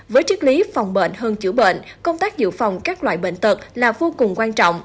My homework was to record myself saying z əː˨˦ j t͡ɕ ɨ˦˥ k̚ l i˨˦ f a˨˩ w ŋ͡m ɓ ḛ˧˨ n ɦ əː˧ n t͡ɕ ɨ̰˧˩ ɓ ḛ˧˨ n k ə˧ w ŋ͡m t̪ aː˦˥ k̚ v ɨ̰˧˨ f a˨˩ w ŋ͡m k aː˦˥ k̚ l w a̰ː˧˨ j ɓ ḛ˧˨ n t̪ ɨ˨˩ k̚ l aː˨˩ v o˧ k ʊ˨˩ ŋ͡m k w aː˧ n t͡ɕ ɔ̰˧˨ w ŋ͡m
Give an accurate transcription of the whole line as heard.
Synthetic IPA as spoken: v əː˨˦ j t͡ɕ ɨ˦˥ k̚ l i˨˦ f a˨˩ w ŋ͡m ɓ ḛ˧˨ n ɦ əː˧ n t͡ɕ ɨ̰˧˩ ɓ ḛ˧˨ n k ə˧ w ŋ͡m t̪ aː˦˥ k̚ z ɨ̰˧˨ f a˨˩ w ŋ͡m k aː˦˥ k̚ l w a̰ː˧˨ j ɓ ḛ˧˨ n t̪ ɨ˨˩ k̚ l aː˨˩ v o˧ k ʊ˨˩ ŋ͡m k w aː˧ n t͡ɕ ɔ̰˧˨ w ŋ͡m